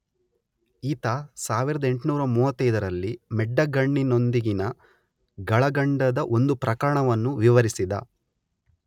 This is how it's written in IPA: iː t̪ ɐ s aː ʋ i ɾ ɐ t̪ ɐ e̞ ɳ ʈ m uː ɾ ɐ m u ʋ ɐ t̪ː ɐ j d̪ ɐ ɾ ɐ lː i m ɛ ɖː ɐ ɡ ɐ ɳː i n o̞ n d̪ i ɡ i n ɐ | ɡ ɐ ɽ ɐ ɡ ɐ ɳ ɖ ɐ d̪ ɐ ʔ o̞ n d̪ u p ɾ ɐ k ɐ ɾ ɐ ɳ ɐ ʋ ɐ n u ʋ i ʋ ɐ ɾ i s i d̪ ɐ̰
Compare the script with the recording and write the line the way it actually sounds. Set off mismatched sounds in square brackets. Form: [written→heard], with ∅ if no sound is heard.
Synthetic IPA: iː t̪ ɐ s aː ʋ i ɾ ɐ [t̪→d̪] ɐ e̞ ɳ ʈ [m→n] uː ɾ ɐ m [u→uː] ʋ ɐ t̪ː ɐ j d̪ ɐ ɾ ɐ lː i m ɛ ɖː ɐ ɡ ɐ ɳː i n o̞ n d̪ i ɡ i n ɐ | ɡ ɐ [ɽ→ɭ] ɐ ɡ ɐ ɳ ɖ ɐ d̪ ɐ ʔ o̞ n d̪ u p ɾ ɐ k ɐ ɾ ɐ ɳ ɐ ʋ ɐ [n→nː] u ʋ i ʋ ɐ ɾ i s i d̪ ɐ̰